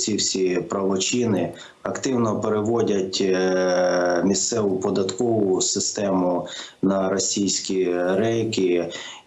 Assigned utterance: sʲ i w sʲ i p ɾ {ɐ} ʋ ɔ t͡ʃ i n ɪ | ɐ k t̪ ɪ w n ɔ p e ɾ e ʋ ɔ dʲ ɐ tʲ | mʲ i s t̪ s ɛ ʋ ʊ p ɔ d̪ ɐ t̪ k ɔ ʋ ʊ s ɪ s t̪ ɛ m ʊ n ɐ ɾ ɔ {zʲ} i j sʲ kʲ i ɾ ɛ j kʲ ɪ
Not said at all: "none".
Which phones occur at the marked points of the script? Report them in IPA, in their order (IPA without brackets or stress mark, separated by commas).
ɐ, sʲ